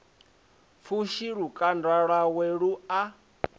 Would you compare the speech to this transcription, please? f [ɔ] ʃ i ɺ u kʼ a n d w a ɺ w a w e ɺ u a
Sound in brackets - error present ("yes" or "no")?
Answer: yes